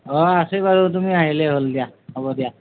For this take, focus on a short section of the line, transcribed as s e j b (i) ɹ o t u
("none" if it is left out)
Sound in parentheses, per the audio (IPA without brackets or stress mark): a